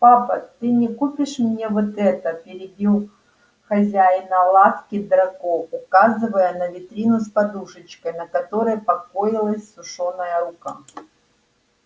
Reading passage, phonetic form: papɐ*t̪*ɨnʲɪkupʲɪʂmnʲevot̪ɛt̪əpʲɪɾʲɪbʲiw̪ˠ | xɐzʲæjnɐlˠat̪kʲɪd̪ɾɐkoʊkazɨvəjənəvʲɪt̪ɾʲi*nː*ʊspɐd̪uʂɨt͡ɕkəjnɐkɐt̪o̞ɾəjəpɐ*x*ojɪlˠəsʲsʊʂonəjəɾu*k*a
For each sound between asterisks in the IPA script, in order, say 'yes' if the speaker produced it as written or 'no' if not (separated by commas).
yes, no, no, yes